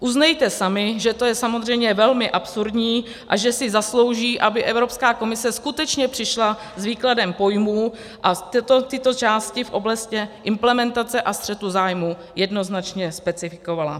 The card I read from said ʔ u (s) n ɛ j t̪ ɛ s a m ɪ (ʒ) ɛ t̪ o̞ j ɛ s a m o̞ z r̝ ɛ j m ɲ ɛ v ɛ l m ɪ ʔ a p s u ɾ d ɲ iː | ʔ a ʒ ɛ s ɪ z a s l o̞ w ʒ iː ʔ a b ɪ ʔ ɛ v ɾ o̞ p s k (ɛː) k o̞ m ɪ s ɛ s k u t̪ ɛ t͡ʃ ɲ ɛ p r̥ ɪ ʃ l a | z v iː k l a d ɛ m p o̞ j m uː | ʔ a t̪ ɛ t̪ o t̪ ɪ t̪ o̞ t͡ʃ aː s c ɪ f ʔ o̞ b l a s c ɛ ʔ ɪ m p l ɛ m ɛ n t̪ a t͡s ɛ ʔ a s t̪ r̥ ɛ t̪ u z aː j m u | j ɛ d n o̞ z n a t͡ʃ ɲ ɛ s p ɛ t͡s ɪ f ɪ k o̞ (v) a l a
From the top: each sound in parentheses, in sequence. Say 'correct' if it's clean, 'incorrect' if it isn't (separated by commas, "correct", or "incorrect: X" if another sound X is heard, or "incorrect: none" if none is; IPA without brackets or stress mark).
incorrect: z, correct, incorrect: aː, correct